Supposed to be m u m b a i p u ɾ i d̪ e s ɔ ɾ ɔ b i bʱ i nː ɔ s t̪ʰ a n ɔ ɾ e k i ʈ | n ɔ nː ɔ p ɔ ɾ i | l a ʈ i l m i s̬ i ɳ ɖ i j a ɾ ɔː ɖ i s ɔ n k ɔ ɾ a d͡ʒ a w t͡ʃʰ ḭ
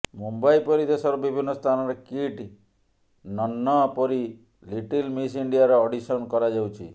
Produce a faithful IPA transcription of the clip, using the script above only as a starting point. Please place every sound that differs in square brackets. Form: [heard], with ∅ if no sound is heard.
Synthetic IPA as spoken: m u m b a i p [ɔ] ɾ i d̪ e s ɔ ɾ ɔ b i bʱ i nː ɔ s t̪ʰ a n ɔ ɾ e k i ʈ | n ɔ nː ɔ p ɔ ɾ i | l [i] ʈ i l m i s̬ i ɳ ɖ i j a ɾ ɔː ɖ i s ɔ n k ɔ ɾ a d͡ʒ a w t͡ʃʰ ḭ